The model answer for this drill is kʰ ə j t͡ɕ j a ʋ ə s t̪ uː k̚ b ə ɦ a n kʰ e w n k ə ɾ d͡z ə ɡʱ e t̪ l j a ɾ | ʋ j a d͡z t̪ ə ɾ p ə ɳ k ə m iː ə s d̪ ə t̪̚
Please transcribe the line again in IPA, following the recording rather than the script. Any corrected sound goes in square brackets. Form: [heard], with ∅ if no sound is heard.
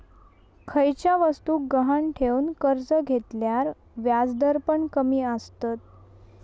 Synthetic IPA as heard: kʰ ə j t͡ɕ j a ʋ ə s t̪ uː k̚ [ɡ] ə ɦ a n [ʈʰ] e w n k ə ɾ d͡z ə ɡʱ e t̪ l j a ɾ | ʋ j a d͡z [d̪] ə ɾ p ə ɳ k ə m iː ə s [t̪] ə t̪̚